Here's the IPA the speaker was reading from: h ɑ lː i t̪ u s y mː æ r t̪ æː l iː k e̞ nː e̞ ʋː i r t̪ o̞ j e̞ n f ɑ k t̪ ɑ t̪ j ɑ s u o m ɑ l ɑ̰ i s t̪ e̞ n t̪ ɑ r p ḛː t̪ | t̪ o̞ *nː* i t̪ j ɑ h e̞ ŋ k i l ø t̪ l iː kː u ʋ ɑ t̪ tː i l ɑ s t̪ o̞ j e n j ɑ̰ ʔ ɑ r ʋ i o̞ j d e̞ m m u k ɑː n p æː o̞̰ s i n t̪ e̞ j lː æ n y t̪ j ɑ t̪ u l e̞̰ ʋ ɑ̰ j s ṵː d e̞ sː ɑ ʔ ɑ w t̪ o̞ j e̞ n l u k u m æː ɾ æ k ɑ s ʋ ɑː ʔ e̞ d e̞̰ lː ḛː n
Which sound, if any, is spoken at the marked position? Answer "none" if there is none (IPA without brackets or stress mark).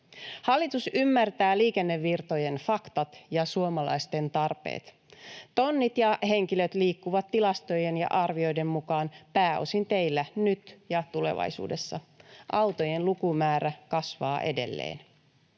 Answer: nː